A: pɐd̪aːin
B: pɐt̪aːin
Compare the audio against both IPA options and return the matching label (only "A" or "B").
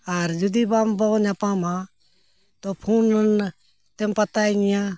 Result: B